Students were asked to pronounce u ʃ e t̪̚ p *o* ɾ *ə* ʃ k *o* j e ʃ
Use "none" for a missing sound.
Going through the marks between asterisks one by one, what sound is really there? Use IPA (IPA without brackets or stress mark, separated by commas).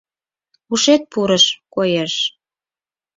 u, ə, o